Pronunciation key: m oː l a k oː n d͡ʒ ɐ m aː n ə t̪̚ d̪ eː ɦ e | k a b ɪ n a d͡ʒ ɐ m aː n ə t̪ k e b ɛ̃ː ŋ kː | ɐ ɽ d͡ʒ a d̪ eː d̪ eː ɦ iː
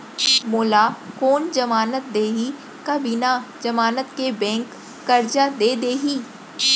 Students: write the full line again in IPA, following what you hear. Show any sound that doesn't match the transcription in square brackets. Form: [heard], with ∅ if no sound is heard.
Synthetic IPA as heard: m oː l a k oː n d͡ʒ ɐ m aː n ə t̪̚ d̪ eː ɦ [i] | k a b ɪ n a d͡ʒ ɐ m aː n ə t̪ k e b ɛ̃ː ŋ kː | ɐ [ɾ] d͡ʒ a d̪ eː d̪ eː ɦ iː